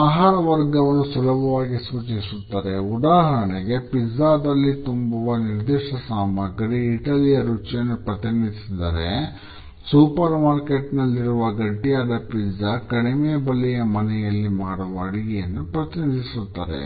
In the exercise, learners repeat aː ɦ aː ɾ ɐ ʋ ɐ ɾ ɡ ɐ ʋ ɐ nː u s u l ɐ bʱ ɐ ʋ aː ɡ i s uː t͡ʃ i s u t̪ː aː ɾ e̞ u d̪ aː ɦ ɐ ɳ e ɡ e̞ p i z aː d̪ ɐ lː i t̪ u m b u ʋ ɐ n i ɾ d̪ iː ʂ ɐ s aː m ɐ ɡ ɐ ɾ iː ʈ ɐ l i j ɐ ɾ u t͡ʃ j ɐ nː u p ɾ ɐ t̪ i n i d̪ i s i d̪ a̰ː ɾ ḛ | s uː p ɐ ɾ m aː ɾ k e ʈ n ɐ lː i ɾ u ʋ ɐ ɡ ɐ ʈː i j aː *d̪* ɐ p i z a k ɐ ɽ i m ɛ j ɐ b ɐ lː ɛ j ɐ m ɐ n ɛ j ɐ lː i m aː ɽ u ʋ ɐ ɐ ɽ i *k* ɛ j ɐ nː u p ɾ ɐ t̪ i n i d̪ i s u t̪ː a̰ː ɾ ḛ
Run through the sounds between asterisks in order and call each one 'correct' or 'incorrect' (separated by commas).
correct, incorrect